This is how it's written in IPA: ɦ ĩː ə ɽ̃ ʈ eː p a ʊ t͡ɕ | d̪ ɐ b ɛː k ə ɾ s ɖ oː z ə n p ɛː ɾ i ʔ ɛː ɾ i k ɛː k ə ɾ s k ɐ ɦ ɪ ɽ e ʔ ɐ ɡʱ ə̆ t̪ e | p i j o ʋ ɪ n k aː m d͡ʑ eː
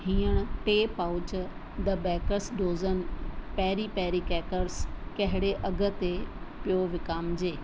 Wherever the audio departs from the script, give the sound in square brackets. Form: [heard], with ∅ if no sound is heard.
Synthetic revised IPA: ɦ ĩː ə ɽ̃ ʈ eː p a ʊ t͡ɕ | d̪ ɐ b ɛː k ə ɾ s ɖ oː z ə n p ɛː ɾ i [p] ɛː ɾ i k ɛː k ə ɾ s k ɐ ɦ ɪ ɽ e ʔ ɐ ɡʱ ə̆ t̪ e | p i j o ʋ ɪ [∅] k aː m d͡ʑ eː